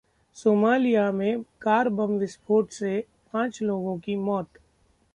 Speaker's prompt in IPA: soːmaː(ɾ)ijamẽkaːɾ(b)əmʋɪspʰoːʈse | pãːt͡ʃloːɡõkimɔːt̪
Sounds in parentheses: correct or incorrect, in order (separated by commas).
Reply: incorrect, correct